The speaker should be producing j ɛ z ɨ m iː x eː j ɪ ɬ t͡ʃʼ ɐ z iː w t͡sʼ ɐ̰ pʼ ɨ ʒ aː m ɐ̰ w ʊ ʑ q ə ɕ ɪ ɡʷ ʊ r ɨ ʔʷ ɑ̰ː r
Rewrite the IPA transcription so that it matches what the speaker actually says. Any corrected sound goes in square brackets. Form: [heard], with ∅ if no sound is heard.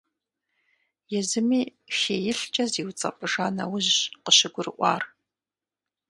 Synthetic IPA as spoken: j ɛ z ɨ m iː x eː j ɪ ɬ t͡ʃʼ ɐ z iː w t͡sʼ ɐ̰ pʼ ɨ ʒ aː [n] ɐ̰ w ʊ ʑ q ə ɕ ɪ ɡʷ ʊ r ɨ ʔʷ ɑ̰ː r